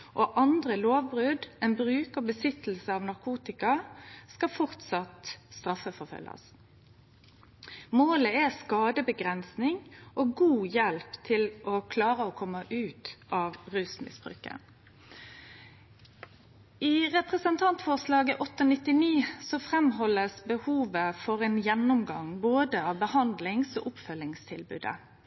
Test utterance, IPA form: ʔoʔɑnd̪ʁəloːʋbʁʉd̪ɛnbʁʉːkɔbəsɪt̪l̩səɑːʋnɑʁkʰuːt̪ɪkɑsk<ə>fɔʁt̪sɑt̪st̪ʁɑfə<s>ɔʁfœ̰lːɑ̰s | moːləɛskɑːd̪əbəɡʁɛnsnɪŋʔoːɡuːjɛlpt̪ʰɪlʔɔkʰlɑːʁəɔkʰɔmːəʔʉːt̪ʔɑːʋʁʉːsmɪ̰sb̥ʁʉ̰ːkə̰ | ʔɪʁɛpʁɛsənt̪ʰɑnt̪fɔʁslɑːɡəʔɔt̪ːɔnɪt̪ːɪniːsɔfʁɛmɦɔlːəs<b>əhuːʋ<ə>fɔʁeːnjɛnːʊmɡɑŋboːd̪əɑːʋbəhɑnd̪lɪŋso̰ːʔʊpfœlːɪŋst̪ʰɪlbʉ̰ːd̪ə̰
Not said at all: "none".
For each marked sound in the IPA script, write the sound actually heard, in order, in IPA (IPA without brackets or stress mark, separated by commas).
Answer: ɑ, f, b, ə